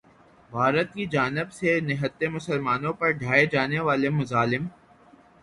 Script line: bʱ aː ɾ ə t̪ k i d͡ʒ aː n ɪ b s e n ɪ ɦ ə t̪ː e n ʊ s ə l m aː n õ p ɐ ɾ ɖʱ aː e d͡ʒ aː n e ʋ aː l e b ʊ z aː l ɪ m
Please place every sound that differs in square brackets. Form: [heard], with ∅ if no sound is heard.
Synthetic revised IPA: bʱ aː ɾ ə t̪ k i d͡ʒ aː n ɪ b s e n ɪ ɦ ə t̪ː e [m] ʊ s ə l m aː n õ p ɐ ɾ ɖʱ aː e d͡ʒ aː n e ʋ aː l e [m] ʊ z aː l ɪ m